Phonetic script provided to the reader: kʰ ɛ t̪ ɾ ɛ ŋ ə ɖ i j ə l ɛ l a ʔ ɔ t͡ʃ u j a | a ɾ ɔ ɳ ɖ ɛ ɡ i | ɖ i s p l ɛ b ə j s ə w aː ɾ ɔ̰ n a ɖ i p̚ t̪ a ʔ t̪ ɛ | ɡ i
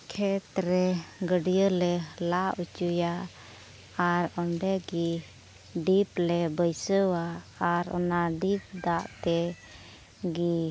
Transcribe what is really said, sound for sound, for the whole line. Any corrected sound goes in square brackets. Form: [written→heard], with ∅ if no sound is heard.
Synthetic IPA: kʰ ɛ t̪ ɾ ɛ [ŋ→ɡ] ə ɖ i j ə l ɛ l a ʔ [ɔ→u] t͡ʃ u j a | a ɾ ɔ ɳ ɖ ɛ ɡ i | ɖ i [s→∅] p l ɛ b ə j s ə w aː ɾ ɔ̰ n a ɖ i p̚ [t̪→d̪] a ʔ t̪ ɛ | ɡ i